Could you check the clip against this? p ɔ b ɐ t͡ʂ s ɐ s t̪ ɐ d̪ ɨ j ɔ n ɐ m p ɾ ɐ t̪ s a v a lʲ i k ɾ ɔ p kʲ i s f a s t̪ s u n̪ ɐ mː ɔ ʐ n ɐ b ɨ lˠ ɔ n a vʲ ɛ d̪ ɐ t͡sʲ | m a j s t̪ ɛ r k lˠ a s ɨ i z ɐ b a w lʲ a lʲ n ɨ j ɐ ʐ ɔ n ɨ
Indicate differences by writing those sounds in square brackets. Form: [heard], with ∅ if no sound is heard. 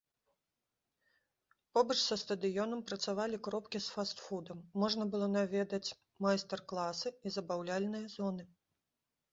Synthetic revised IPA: p ɔ b ɐ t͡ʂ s ɐ s t̪ ɐ d̪ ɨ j ɔ n ɐ m p ɾ ɐ t̪ s a v a lʲ i k ɾ ɔ p kʲ i s f a s t̪ [f] u [d̪] ɐ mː ɔ ʐ n ɐ b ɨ lˠ ɔ n a vʲ ɛ d̪ ɐ t͡sʲ | m a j s t̪ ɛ r k lˠ a s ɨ i z ɐ b a w lʲ a lʲ n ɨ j ɐ [z] ɔ n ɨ